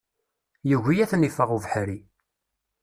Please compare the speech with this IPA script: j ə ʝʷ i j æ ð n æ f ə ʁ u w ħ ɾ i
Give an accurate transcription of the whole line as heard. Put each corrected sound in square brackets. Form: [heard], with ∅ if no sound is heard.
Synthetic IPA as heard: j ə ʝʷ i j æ [θ] n [i] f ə ʁ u [v] ħ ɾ i